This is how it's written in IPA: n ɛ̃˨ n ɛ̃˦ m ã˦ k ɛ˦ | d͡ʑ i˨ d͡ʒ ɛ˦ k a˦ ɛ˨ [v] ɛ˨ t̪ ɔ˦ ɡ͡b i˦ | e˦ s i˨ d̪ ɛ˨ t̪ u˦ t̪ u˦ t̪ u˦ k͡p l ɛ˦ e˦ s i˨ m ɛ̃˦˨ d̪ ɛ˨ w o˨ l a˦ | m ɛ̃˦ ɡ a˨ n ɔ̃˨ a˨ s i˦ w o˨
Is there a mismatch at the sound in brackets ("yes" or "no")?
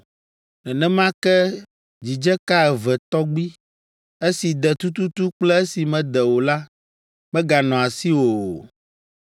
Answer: no